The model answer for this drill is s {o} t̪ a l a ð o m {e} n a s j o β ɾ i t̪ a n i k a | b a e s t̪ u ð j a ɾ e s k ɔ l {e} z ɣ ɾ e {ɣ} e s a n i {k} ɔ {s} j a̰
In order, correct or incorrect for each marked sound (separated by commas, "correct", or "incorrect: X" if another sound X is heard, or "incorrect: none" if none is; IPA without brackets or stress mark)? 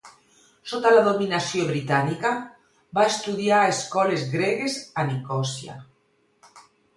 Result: correct, incorrect: i, correct, correct, correct, correct